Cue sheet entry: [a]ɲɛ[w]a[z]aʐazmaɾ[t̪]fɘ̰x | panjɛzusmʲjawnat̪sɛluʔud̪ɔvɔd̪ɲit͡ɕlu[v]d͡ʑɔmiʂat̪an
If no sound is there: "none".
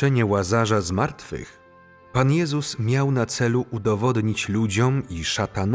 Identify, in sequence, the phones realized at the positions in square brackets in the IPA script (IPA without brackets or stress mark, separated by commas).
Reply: ɛ, w, z, t̪, none